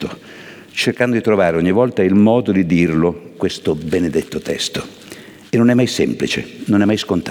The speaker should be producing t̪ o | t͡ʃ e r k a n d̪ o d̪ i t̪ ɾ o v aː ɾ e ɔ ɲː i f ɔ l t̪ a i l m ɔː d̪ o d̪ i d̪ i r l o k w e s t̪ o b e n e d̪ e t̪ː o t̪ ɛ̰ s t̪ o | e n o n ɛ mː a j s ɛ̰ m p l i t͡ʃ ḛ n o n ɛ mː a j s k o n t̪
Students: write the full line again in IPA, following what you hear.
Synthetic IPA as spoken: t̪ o | t͡ʃ e r k a n d̪ o d̪ i t̪ ɾ o v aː ɾ e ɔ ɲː i v ɔ l t̪ a i l m ɔː d̪ o d̪ i d̪ i r l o k w e s t̪ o b e n e d̪ e t̪ː o t̪ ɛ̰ s t̪ o | e n o n ɛ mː a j s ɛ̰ m p l i t͡ʃ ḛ n o n ɛ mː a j s k o n t̪